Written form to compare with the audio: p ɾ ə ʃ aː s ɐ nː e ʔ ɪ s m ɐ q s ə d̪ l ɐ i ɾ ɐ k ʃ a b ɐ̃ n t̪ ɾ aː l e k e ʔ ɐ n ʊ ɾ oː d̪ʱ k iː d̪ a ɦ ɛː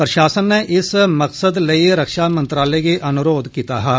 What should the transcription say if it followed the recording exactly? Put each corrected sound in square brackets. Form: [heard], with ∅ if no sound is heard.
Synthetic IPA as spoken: p ɾ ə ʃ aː s [ə] nː e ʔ ɪ s m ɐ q s ə d̪ l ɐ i ɾ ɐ k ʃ a [m] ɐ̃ n t̪ ɾ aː l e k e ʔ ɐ n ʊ ɾ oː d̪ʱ k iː [t̪] a ɦ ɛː